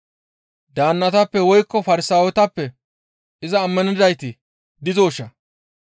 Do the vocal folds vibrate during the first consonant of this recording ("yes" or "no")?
yes